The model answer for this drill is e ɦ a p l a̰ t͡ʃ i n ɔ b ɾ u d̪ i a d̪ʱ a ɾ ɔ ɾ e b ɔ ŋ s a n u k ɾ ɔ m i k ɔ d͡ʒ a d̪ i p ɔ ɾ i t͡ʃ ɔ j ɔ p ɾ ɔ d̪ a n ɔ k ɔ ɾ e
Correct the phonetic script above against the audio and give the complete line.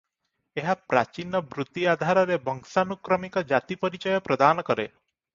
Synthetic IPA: e ɦ a p ɾ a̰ t͡ʃ i n ɔ b ɾ u t̪ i a d̪ʱ a ɾ ɔ ɾ e b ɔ ŋ s a n u k ɾ ɔ m i k ɔ d͡ʒ a t̪ i p ɔ ɾ i t͡ʃ ɔ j ɔ p ɾ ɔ d̪ a n ɔ k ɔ ɾ e